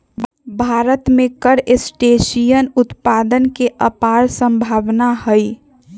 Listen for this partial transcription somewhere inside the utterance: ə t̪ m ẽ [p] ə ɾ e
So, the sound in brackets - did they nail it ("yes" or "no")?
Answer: no